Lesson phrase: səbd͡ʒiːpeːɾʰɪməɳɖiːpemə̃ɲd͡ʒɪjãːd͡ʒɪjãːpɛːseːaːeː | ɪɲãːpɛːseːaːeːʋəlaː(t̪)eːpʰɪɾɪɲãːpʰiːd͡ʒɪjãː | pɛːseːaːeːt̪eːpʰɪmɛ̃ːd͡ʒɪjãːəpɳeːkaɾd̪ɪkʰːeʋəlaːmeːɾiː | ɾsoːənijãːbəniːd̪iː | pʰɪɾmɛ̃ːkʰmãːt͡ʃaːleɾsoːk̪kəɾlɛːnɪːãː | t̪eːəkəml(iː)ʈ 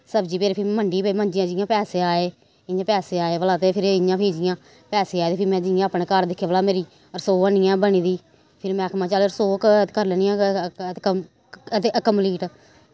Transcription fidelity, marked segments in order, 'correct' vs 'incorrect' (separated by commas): correct, correct